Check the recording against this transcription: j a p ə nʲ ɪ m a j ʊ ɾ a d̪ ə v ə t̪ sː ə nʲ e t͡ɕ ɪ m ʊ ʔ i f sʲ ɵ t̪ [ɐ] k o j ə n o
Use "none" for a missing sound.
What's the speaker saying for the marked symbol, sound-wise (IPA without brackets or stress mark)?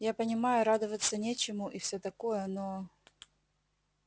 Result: ɐ